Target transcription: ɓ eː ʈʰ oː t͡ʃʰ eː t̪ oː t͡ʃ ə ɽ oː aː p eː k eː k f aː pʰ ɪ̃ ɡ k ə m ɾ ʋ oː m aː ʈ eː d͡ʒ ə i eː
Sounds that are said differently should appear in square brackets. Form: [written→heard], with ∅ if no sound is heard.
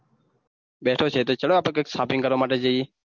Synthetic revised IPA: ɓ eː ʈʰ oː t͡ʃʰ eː t̪ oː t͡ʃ ə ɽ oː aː p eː k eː k [f→s] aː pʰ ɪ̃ [ɡ→ŋ] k ə [m→∅] ɾ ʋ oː m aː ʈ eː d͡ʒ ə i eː